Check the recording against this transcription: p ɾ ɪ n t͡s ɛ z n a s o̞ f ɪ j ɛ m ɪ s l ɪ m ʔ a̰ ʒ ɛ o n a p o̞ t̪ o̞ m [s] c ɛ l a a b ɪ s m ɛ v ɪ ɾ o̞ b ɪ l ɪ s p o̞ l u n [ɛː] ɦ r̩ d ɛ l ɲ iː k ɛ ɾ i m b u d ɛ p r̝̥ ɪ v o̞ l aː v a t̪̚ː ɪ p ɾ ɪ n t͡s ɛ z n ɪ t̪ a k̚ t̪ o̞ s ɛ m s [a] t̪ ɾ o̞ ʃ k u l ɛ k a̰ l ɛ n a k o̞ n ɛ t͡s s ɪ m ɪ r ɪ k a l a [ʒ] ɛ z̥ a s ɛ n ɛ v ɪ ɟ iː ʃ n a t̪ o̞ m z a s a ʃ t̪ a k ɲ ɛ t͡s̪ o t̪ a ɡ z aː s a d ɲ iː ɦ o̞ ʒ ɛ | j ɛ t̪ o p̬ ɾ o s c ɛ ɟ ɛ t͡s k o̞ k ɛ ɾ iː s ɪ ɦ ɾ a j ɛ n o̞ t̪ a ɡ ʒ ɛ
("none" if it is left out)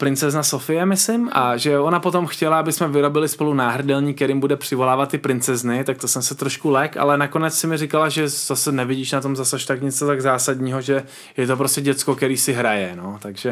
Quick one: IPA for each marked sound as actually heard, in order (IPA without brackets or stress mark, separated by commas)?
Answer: x, aː, ɛ, ʒ